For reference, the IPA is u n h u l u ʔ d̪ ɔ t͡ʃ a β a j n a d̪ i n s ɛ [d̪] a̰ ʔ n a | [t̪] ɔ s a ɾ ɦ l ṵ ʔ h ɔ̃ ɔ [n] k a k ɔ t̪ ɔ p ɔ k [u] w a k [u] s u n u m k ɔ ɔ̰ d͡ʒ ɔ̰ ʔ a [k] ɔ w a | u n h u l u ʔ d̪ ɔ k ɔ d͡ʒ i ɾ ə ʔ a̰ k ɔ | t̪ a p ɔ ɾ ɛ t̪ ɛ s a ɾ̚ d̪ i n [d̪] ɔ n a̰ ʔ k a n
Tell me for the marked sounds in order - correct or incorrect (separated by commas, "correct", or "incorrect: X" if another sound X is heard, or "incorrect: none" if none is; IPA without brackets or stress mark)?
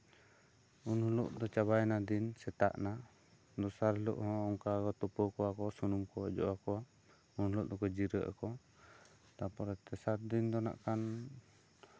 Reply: incorrect: t̪, incorrect: d̪, incorrect: ŋ, incorrect: ɔ, incorrect: ɔ, correct, correct